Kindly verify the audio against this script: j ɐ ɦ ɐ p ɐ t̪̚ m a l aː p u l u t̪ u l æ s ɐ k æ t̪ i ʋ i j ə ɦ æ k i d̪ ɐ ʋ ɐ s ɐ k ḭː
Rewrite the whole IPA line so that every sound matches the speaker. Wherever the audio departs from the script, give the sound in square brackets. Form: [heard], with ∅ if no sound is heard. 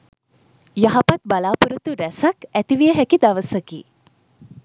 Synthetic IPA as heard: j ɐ ɦ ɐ p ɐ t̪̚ [b] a l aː p u [ɾ] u t̪ u [ɾ] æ s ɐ k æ t̪ i ʋ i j ə ɦ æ k i d̪ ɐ ʋ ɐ s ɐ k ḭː